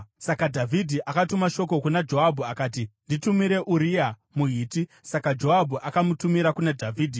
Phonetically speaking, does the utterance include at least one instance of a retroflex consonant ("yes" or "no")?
no